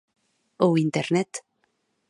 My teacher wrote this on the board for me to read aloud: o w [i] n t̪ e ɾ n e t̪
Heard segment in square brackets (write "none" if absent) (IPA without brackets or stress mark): i